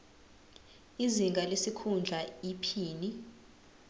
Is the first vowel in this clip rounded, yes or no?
no